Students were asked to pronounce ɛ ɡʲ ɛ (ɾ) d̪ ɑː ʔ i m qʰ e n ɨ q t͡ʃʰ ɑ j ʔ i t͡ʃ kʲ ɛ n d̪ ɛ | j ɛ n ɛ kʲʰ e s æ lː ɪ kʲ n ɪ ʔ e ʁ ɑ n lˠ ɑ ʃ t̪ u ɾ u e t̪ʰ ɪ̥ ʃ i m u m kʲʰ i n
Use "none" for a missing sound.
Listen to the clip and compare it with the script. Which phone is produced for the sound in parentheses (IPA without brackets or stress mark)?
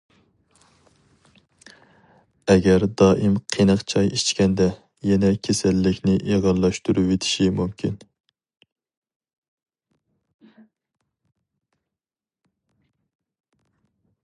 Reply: ɾ